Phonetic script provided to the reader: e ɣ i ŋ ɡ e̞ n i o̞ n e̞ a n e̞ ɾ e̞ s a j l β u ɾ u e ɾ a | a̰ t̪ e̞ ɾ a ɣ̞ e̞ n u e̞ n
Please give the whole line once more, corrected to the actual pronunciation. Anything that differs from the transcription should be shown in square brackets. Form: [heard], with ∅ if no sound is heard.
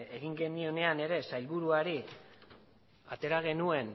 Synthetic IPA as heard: e ɣ i ŋ ɡ e̞ n i o̞ n e̞ a n e̞ ɾ e̞ s a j l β u ɾ u [a] ɾ [i] | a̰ t̪ e̞ ɾ a ɣ̞ e̞ n u e̞ n